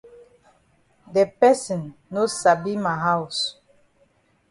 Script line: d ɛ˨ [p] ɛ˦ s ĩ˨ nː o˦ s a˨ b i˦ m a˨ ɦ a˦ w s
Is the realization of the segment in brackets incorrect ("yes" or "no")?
no